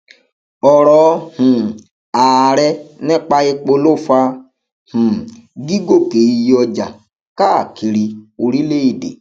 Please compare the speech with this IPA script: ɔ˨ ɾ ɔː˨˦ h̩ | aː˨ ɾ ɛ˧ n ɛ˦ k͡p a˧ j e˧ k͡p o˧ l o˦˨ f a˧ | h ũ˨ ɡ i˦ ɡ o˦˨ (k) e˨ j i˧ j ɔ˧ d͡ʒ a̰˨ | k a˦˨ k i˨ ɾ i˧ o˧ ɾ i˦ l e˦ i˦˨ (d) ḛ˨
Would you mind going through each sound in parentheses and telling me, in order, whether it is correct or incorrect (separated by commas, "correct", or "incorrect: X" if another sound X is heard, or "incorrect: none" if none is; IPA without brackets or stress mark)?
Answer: correct, correct